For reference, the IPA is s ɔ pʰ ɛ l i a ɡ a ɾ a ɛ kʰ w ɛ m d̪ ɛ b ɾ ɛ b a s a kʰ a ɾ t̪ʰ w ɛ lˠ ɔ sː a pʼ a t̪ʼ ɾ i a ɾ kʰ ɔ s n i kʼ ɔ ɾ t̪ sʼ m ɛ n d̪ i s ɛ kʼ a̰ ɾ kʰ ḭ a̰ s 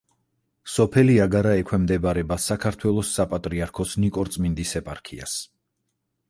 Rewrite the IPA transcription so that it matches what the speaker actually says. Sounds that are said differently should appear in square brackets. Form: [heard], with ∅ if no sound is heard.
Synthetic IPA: s ɔ pʰ ɛ l i a ɡ a ɾ a ɛ kʰ w ɛ m d̪ ɛ b ɾ ɛ b a s a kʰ a ɾ t̪ʰ w ɛ lˠ ɔ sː a pʼ a t̪ʼ ɾ i a ɾ kʰ ɔ s n i kʼ ɔ ɾ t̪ sʼ m [i] n d̪ i s ɛ [pʼ] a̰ ɾ kʰ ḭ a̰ s